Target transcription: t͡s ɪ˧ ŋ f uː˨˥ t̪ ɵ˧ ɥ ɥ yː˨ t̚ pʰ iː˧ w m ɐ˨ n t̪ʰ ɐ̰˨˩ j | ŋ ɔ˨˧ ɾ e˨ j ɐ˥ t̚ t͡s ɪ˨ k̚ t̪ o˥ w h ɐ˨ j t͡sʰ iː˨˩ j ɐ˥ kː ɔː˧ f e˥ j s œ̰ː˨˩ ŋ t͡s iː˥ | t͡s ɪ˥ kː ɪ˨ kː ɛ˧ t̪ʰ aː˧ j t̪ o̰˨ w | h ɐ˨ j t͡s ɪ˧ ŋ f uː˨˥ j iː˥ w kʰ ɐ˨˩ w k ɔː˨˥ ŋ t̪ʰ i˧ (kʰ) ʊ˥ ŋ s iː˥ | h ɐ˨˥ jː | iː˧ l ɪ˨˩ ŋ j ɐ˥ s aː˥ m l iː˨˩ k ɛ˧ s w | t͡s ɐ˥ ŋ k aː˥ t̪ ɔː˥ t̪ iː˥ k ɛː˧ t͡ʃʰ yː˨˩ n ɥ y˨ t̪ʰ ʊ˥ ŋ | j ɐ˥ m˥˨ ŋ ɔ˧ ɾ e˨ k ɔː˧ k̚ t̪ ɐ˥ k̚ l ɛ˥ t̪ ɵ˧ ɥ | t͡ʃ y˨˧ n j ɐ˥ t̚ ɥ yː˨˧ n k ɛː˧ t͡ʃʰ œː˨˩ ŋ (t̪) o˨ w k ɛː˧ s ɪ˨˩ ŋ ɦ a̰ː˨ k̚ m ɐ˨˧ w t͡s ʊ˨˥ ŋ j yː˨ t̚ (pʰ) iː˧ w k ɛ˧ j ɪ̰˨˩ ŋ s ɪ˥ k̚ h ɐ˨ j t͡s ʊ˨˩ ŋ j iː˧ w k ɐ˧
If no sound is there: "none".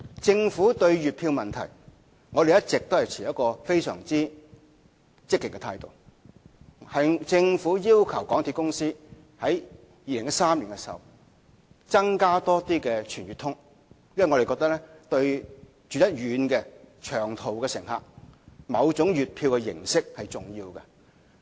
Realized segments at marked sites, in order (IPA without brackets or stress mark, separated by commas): k, t̪ʰ, pʰ